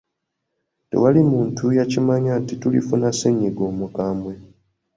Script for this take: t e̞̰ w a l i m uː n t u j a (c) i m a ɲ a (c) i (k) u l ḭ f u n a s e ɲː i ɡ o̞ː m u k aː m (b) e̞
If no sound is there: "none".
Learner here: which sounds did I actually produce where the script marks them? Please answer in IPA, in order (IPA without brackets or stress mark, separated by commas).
c, t, t, w